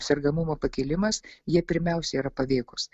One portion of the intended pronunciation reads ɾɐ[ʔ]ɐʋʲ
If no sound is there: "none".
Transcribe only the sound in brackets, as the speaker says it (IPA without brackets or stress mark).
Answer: p